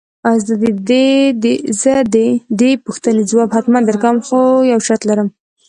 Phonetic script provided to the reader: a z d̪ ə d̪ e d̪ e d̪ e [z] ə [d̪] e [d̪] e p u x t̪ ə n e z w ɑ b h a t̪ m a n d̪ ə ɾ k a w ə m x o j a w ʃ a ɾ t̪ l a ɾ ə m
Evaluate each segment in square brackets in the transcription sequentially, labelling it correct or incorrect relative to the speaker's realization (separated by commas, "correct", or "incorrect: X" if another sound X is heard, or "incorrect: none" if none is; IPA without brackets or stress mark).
correct, correct, correct